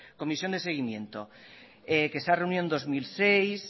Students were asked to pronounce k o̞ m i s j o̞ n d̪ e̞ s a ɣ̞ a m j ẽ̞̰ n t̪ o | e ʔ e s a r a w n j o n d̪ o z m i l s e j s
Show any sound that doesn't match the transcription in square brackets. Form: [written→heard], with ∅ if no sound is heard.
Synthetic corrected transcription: k o̞ m i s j o̞ n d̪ e̞ s [a→e] ɣ̞ [a→i] m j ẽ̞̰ n t̪ o | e [ʔ→k] e s a r [a→e] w n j o n d̪ o z m i l s e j s